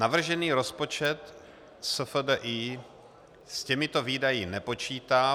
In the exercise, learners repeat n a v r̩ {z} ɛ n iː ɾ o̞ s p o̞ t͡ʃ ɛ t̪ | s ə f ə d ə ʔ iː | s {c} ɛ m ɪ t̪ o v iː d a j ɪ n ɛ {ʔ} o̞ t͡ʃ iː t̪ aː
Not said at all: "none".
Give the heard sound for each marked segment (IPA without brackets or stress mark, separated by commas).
ʒ, c, p